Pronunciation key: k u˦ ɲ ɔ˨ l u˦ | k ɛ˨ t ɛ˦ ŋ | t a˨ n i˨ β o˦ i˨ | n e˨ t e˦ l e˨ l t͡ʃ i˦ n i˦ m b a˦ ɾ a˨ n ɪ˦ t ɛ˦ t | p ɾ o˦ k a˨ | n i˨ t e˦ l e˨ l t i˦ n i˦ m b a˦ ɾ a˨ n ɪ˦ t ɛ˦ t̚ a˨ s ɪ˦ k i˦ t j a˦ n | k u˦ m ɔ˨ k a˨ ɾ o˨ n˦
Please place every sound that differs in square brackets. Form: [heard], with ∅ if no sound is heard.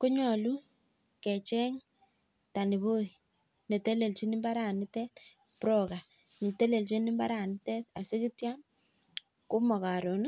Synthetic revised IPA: k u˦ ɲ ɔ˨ l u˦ | k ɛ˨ [t͡ʃ] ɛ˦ ŋ | t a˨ n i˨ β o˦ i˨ | n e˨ t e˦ l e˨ l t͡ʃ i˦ n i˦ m b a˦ ɾ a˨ n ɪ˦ t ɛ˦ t | p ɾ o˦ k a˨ | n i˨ t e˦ l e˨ l [t͡ʃ] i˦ n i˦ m b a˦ ɾ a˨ n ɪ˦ t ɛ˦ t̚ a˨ s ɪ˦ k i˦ t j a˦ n | k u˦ m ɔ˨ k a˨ ɾ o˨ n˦